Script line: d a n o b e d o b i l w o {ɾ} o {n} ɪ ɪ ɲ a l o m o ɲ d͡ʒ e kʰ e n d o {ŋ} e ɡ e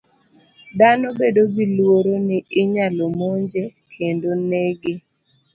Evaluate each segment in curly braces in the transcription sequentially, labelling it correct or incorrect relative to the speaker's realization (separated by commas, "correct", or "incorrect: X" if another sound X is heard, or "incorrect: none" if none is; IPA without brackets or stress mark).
correct, correct, incorrect: n